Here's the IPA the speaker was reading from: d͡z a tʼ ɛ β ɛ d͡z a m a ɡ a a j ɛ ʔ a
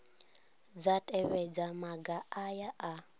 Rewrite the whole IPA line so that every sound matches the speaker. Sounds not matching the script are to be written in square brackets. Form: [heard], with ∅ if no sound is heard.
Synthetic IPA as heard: d͡z a tʼ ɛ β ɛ d͡z a m a ɡ a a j [a] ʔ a